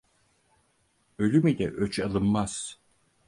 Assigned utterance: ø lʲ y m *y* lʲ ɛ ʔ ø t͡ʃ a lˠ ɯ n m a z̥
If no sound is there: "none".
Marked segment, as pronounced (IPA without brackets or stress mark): i